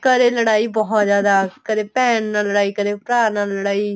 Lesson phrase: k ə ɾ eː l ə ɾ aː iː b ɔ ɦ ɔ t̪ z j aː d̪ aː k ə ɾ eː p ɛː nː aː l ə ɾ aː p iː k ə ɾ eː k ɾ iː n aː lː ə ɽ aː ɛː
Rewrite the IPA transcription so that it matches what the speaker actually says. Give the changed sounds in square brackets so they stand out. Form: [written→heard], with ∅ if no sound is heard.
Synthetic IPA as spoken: k ə ɾ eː l ə [ɾ→ɽ] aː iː b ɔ ɦ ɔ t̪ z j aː d̪ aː k ə ɾ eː p ɛː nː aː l ə [ɾ→ɽ] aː [p→∅] iː k ə ɾ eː [k→p] ɾ [iː→aː] n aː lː ə ɽ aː [ɛː→iː]